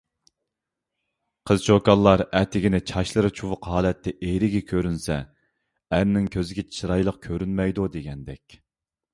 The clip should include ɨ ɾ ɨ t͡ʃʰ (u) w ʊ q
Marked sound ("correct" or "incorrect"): correct